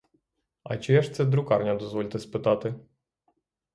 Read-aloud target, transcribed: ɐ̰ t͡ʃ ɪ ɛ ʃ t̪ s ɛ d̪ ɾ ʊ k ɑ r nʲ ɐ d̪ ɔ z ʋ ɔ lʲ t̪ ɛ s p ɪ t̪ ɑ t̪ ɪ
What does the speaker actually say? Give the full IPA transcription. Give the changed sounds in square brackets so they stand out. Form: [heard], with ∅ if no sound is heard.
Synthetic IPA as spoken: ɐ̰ t͡ʃ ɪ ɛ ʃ t̪ s ɛ d̪ ɾ ʊ k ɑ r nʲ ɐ d̪ ɔ z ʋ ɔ lʲ t̪ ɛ s p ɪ t̪ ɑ t̪ ɪ